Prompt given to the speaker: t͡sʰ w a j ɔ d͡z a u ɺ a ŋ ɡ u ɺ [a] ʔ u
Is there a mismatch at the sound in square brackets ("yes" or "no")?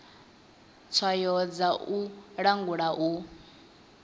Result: no